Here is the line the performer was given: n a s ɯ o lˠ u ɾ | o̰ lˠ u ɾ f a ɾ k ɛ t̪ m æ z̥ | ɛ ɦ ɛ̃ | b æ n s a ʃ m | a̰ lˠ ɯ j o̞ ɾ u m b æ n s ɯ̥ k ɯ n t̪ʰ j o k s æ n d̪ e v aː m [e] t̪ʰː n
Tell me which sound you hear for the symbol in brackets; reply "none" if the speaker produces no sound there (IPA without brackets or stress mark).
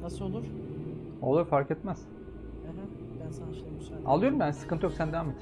e